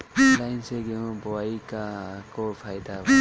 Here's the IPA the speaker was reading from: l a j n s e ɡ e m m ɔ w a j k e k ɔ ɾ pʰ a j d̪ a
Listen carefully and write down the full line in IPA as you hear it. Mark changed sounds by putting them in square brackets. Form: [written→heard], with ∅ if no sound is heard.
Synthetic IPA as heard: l a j n s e ɡ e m [m→b] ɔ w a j k [e→a] k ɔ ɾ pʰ a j d̪ a